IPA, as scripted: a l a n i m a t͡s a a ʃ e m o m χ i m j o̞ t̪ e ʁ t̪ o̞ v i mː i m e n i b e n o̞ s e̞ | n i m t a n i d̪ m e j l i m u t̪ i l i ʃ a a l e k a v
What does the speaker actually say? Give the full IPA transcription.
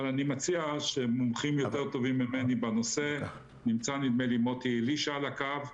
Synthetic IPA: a l a n i m a t͡s i a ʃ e m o m χ i m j o̞ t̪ e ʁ t̪ o̞ v i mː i m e n i b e n o̞ s e̞ | n i m t͡s a n i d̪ m e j l i m o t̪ i l i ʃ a a l a k a v